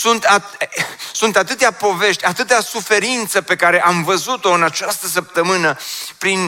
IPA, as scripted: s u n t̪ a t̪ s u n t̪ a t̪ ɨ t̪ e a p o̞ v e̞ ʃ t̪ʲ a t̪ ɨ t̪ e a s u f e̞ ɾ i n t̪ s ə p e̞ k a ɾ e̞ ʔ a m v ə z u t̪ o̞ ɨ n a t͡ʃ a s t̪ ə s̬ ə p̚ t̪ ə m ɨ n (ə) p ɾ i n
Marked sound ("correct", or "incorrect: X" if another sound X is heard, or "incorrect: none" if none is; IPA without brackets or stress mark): correct